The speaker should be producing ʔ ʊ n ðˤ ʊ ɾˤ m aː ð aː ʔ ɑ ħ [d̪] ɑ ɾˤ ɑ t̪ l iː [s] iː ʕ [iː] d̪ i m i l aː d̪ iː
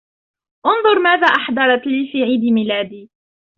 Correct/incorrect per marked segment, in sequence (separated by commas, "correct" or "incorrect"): correct, incorrect, correct